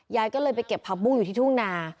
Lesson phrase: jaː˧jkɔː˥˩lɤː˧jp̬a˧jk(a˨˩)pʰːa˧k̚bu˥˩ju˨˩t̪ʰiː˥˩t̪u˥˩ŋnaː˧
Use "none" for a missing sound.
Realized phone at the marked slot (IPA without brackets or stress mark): e˨˩